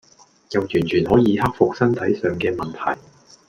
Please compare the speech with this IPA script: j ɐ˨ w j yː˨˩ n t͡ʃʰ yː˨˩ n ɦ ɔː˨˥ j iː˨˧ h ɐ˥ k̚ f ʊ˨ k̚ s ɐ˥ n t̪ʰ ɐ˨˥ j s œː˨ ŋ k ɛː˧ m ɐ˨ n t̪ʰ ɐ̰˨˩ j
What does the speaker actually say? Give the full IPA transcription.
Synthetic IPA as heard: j ɐ˨ w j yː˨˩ n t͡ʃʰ yː˨˩ n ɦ ɔː˨˥ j iː˨˧ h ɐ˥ k̚ f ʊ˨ k̚ s ɐ˥ n t̪ʰ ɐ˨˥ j s œː˨ ŋ k ɛː˧ m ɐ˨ n t̪ʰ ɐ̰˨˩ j